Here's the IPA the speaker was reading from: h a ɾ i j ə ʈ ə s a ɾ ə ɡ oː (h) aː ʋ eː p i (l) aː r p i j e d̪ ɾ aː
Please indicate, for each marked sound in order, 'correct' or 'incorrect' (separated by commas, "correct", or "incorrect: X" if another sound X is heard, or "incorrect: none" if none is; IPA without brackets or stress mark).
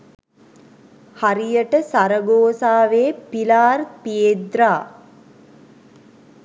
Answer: incorrect: s, correct